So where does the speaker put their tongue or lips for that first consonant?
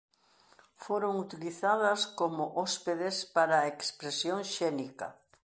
lips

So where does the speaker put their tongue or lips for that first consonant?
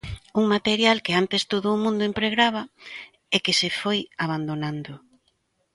velum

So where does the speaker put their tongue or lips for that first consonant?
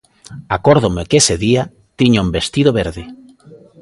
velum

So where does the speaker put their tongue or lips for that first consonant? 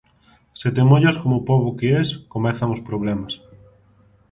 tongue tip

